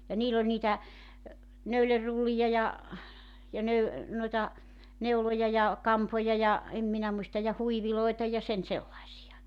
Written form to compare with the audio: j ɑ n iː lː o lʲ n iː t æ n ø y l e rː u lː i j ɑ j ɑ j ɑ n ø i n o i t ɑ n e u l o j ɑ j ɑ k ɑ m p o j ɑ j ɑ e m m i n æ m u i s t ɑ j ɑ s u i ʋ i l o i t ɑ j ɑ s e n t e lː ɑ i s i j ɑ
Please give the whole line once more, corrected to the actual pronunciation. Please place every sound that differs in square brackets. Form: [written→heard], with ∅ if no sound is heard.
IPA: j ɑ n iː lː o lʲ n iː t æ n ø y l e rː u lː i j ɑ j ɑ j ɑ n ø [i→y] n o i t ɑ n e u l o j ɑ j ɑ k ɑ m p o j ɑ j ɑ e m m i n æ m u i s t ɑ j ɑ [s→h] u i ʋ i l o i t ɑ j ɑ s e n [t→s] e lː ɑ i s i j ɑ